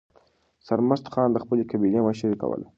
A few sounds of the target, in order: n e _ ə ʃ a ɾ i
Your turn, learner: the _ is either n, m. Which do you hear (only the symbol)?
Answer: m